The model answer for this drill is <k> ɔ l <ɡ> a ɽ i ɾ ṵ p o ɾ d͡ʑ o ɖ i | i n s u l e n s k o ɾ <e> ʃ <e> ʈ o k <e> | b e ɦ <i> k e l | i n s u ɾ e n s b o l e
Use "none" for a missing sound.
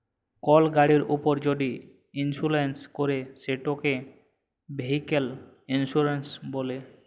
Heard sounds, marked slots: k, ɡ, e, e, e, i

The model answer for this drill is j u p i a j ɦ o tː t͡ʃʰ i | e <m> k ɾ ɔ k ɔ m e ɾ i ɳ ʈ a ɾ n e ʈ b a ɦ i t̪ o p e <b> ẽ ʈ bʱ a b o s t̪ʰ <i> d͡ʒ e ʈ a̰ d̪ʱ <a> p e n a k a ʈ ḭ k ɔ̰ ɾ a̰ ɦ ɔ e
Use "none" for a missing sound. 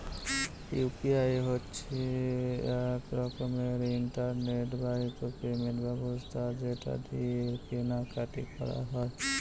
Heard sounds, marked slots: none, m, a, i

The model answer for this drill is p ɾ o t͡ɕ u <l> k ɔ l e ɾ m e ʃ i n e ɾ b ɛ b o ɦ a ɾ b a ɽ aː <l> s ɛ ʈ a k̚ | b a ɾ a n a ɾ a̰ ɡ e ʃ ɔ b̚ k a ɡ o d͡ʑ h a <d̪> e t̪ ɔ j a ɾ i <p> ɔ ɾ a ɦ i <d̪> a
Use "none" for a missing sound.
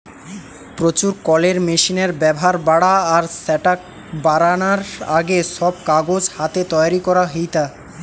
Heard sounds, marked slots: ɾ, ɾ, t̪, k, t̪

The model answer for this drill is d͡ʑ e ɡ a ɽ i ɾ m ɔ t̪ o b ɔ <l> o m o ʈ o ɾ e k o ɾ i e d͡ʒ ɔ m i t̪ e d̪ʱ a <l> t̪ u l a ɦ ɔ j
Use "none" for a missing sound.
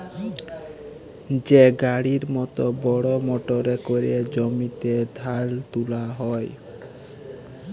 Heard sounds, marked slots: ɽ, l

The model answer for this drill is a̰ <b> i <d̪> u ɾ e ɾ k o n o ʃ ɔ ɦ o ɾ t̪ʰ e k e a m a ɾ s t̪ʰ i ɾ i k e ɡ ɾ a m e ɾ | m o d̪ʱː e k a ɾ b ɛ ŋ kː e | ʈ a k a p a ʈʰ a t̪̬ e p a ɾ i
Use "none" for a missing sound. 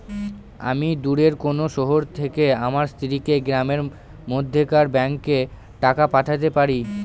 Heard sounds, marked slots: m, d̪

